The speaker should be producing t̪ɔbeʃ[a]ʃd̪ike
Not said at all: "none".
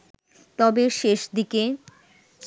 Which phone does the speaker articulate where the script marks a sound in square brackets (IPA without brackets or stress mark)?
e